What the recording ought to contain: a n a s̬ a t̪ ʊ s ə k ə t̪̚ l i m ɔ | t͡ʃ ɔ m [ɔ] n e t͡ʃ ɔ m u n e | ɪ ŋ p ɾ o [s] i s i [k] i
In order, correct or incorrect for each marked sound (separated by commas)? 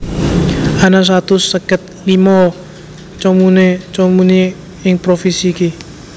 incorrect, incorrect, correct